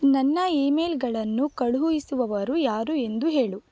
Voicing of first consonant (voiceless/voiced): voiced